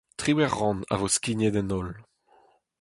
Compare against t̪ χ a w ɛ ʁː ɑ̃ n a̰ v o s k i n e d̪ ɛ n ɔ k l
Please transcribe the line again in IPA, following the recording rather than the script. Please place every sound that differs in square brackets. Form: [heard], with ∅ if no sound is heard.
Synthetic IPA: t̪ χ [i] w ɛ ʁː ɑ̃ n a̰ v o s k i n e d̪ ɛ n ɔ [∅] l